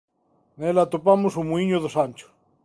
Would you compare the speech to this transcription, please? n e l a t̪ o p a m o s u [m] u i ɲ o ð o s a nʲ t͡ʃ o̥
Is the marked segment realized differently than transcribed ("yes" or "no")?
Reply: no